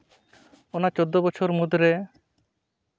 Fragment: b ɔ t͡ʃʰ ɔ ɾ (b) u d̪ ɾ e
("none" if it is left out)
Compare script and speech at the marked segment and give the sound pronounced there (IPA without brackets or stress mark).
m